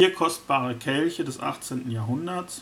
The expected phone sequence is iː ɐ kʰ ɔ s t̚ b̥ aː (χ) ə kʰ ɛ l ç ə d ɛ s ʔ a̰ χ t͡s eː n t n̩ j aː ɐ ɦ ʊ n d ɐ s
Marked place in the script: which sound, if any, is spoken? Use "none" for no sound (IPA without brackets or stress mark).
ʁ